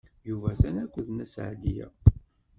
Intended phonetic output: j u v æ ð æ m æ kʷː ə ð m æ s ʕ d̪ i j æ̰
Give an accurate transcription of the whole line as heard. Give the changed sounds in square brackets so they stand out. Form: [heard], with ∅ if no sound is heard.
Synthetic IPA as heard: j u v æ [θ] æ [n] æ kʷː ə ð [n] æ s ʕ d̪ i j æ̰